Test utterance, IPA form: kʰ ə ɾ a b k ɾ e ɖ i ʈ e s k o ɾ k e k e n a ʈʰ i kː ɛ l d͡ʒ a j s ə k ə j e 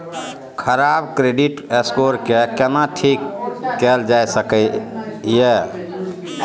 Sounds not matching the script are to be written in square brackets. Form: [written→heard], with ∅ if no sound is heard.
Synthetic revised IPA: kʰ ə ɾ a b k ɾ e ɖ i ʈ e s k o ɾ k e k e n a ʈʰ i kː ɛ l d͡ʒ a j s ə k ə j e